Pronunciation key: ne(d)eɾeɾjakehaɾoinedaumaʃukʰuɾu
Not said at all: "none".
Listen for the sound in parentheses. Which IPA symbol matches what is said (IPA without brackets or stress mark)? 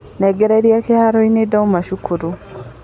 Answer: ɡ